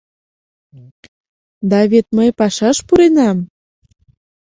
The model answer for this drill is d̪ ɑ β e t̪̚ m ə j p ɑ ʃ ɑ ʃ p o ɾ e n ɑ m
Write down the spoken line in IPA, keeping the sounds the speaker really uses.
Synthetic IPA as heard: d̪ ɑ β e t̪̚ m ə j p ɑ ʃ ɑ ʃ p u ɾ e n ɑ m